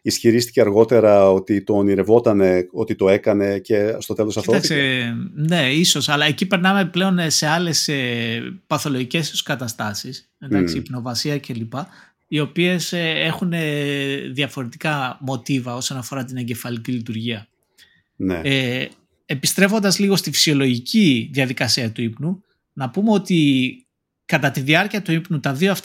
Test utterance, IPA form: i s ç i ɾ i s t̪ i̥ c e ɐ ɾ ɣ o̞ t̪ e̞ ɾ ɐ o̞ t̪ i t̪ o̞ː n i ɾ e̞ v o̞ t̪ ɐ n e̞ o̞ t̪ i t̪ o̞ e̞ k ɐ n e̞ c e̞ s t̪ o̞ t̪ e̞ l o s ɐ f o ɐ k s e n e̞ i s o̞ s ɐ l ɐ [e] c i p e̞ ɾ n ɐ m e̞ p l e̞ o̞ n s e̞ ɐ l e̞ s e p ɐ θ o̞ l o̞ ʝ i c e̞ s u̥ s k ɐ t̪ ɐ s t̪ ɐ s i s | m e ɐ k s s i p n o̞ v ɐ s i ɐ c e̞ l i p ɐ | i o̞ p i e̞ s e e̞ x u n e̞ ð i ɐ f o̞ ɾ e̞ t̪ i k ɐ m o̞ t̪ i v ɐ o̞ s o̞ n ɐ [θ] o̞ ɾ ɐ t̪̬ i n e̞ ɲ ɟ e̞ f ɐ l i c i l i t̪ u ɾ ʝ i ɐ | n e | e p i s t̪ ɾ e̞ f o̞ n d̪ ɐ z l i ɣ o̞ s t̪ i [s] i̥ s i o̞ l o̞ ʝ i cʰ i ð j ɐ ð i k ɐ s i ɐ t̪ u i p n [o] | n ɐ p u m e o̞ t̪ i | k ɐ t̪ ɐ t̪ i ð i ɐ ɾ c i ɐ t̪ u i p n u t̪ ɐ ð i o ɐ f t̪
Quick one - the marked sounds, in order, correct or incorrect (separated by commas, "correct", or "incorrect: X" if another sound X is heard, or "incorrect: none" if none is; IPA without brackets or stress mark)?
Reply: correct, incorrect: f, incorrect: f, incorrect: u